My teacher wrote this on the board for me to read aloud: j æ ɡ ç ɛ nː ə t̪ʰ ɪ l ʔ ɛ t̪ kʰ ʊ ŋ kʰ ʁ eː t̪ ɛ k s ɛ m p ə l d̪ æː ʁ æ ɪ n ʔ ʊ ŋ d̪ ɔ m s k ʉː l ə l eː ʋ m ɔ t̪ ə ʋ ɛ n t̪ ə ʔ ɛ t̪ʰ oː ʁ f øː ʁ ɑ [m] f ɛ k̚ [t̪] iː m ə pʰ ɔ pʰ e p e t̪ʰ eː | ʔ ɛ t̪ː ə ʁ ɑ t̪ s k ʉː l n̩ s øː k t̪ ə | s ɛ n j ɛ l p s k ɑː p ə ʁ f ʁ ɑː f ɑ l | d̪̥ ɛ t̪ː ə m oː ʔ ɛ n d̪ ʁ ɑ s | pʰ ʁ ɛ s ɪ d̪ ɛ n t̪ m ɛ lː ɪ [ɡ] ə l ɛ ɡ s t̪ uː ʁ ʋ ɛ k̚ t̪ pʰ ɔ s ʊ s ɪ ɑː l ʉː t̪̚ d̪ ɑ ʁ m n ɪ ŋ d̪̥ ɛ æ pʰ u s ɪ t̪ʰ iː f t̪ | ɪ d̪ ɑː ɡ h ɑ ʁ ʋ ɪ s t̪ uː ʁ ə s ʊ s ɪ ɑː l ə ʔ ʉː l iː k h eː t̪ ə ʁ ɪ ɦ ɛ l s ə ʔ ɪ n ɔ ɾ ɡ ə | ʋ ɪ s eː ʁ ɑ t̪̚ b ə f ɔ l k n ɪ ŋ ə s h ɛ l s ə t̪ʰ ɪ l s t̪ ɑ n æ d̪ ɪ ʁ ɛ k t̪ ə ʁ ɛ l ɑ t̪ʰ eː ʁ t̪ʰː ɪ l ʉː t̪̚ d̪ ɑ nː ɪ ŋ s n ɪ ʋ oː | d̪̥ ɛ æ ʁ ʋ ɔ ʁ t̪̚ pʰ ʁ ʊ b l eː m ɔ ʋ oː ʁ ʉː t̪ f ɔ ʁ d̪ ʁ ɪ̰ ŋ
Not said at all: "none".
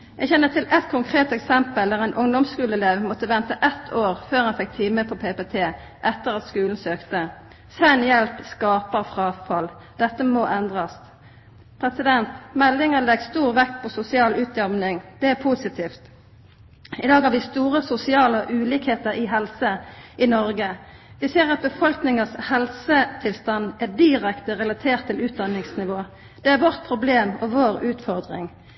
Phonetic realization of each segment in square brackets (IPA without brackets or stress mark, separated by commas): n, t̪ʰ, ŋ